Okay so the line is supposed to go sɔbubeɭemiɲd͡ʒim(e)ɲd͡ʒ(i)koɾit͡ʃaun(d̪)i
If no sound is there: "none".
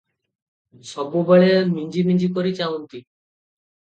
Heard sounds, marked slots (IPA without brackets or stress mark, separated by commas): i, i, t̪